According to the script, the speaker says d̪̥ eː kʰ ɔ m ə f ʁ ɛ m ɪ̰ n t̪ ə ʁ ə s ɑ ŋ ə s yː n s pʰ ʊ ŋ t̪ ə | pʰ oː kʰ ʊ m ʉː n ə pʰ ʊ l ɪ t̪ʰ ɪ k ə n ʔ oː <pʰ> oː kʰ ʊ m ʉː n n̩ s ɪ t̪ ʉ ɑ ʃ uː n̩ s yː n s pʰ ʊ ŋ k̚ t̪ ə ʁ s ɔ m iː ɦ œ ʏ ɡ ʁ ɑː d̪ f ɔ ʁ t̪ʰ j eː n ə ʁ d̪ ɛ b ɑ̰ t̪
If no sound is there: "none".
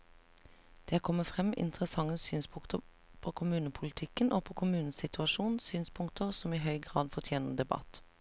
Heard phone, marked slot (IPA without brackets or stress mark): pʰ